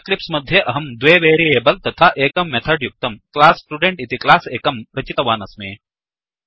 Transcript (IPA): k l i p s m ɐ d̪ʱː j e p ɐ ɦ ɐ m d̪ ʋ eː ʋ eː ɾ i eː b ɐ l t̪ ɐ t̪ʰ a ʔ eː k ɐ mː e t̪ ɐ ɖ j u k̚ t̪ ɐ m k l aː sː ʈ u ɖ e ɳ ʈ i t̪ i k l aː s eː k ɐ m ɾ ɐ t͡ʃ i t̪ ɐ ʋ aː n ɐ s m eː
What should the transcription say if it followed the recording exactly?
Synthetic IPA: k l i p s m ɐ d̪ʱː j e ʔ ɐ ɦ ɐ m d̪ ʋ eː ʋ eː ɾ i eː b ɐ l t̪ ɐ t̪ʰ a ʔ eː k ɐ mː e t̪ʰ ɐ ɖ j u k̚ t̪ ɐ m k l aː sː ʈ u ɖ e ɳ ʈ i t̪ i k l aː s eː k ɐ m ɾ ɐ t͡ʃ i t̪ ɐ ʋ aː n ɐ s m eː